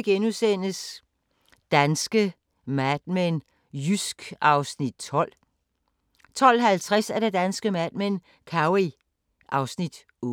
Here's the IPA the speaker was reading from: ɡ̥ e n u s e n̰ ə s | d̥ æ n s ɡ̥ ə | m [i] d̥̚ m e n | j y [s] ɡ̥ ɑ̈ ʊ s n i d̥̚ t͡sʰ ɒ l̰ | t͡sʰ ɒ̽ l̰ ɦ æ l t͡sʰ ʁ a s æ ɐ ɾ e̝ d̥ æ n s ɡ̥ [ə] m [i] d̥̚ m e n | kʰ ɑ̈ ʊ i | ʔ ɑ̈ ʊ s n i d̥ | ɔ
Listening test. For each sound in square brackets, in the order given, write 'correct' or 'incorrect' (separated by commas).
incorrect, correct, correct, incorrect